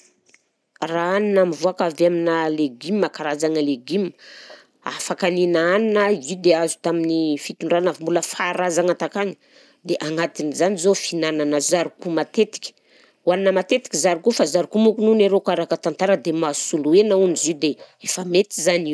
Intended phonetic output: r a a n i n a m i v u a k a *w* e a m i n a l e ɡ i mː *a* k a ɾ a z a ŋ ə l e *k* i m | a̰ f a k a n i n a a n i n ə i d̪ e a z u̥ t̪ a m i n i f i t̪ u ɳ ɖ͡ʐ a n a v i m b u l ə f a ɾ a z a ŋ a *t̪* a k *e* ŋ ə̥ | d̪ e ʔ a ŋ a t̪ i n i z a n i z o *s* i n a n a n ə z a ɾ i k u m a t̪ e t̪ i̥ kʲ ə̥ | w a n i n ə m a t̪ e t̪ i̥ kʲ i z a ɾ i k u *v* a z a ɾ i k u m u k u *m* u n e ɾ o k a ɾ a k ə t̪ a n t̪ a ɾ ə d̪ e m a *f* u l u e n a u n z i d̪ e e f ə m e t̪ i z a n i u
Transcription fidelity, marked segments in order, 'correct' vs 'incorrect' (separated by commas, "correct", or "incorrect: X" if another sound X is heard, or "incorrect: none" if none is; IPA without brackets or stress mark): incorrect: v, correct, incorrect: ɡ, correct, incorrect: a, incorrect: f, incorrect: f, incorrect: n, incorrect: s